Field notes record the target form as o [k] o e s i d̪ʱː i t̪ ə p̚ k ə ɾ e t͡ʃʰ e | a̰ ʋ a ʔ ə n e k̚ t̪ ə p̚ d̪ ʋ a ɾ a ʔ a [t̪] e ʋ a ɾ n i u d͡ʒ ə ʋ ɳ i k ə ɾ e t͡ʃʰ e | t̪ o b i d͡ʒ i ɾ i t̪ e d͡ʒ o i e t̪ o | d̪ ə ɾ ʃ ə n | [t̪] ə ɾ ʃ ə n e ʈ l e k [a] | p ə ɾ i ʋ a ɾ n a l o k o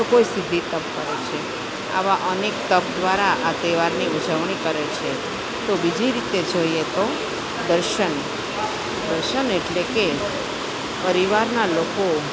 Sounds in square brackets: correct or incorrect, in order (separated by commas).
correct, correct, incorrect, incorrect